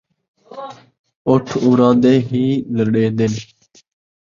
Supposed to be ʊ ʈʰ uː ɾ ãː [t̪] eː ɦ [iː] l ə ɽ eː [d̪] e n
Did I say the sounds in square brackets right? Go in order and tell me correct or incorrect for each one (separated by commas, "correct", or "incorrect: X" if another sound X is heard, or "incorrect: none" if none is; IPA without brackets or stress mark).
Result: incorrect: d̪, correct, correct